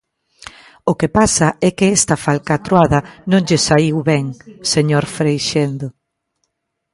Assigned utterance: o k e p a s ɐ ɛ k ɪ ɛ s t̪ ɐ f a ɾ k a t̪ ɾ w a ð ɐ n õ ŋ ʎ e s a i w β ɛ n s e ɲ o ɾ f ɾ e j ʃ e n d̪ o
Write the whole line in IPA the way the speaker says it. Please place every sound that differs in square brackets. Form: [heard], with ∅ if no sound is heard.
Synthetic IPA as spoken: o k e p a s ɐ ɛ k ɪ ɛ s t̪ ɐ f a [l] k a t̪ ɾ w a ð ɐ n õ ŋ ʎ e s a i w β ɛ [ŋ] s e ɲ o ɾ f ɾ e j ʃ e n d̪ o